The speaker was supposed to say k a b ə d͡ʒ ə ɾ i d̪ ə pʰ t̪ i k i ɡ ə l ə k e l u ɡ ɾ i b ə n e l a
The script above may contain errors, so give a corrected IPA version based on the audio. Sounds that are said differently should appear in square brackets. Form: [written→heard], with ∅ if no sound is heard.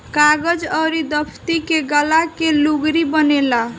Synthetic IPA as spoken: k a [b→ɡ] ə d͡ʒ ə ɾ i d̪ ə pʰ t̪ i k [i→e] ɡ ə l [ə→a] k e l u ɡ ɾ i b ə n e l a